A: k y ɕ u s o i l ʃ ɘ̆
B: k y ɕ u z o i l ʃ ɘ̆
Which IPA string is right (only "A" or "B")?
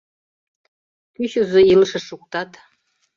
B